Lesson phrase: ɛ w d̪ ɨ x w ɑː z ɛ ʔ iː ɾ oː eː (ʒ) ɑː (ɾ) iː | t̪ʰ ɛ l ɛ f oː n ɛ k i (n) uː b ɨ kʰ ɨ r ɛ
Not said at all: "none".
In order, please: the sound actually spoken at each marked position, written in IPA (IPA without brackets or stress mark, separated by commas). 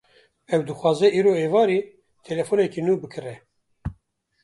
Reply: v, ɾ, n